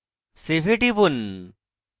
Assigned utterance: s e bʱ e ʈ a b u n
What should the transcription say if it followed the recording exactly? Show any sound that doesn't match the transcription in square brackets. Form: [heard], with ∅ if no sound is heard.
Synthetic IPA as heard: s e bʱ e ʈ [i] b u n